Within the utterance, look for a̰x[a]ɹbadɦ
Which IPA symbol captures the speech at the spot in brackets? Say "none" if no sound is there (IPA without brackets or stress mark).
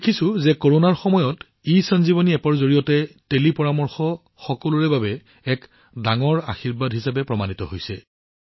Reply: i